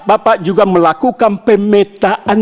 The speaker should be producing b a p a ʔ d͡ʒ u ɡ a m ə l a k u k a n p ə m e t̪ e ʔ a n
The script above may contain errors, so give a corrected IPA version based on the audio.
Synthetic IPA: b a p a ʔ d͡ʒ u ɡ a m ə l a k u k a n p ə m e t̪ a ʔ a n